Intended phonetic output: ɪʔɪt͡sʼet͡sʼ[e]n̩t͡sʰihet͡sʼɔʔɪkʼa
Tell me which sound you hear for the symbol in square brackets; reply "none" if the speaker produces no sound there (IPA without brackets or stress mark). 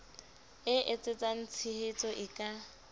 a